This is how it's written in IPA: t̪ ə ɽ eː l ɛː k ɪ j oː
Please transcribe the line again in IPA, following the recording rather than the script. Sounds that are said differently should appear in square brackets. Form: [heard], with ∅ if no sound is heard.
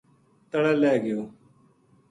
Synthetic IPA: t̪ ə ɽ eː l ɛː [ɡ] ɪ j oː